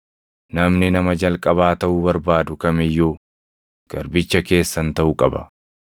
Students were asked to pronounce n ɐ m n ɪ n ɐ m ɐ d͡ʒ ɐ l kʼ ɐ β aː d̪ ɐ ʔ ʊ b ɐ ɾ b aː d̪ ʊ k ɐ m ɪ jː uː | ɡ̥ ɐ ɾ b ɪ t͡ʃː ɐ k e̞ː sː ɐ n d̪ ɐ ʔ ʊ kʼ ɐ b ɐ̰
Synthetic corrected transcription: n ɐ m n ɪ n ɐ m ɐ d͡ʒ ɐ l kʼ ɐ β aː t̪ ɐ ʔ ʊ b ɐ ɾ b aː d̪ ʊ k ɐ m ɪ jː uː | ɡ̥ ɐ ɾ b ɪ t͡ʃː ɐ k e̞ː sː ɐ n t̪ ɐ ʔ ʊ kʼ ɐ b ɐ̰